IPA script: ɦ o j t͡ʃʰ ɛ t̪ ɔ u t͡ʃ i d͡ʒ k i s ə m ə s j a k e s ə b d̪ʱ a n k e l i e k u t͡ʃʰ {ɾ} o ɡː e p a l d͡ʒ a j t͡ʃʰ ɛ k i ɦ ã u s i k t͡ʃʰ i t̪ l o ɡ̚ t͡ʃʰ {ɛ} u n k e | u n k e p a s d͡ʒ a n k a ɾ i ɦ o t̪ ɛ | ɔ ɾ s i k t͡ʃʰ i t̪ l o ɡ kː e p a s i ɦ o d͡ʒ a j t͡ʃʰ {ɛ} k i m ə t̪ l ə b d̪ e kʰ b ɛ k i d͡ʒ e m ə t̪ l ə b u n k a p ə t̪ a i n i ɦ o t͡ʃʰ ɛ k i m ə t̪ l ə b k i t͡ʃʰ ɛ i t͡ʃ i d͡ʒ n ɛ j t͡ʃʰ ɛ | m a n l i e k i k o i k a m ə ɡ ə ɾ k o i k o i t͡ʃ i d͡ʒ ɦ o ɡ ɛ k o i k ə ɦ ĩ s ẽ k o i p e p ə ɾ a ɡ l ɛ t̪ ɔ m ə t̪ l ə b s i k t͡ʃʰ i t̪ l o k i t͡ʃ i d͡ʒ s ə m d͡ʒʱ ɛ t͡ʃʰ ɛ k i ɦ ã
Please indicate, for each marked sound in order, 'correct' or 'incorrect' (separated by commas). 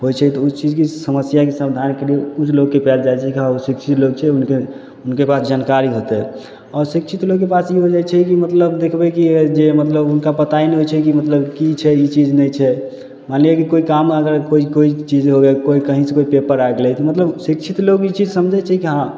incorrect, correct, correct